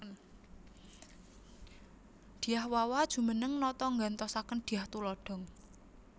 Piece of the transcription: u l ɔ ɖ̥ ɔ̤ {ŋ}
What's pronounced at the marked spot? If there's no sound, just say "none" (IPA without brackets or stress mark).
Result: ŋ